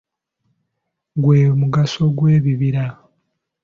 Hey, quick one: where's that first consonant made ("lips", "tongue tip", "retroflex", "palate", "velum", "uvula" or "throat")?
velum